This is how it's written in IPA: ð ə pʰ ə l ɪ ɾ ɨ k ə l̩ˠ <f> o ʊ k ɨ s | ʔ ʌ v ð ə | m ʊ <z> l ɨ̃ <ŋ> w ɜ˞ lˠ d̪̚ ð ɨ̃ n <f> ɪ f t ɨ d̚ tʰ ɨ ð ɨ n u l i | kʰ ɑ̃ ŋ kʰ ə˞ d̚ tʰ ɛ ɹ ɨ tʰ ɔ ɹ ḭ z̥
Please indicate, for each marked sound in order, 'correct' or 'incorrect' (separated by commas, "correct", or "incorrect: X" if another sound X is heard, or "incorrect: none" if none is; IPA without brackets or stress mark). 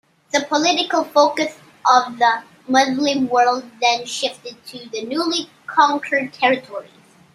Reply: correct, correct, incorrect: m, incorrect: ʃ